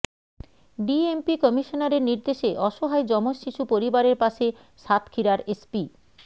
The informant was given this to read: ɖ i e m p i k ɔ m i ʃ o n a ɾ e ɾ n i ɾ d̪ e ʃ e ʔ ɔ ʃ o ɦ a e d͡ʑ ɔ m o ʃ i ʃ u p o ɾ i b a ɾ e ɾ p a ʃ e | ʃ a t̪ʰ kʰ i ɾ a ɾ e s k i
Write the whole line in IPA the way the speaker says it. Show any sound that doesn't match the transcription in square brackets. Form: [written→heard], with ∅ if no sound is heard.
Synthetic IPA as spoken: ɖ i e m p i k ɔ m i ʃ o n a ɾ e ɾ n i ɾ d̪ e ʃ e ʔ ɔ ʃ o ɦ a e d͡ʑ ɔ m o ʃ i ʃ u p o ɾ i b a ɾ e ɾ p a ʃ e | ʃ a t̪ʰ kʰ i ɾ a ɾ e s [k→p] i